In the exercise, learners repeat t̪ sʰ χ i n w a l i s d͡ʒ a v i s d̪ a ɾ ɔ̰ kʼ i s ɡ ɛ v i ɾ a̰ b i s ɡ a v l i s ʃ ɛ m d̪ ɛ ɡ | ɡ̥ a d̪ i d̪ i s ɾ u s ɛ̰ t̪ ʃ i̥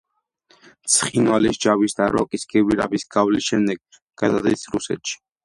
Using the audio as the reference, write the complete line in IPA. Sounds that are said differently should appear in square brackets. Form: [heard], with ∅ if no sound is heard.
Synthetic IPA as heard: t̪ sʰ χ i n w a l i s d͡ʒ a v i s d̪ a ɾ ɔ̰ kʼ i s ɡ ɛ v i ɾ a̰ b i s ɡ a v l i s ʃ ɛ m d̪ ɛ ɡ | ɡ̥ a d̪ [a] d̪ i s ɾ u s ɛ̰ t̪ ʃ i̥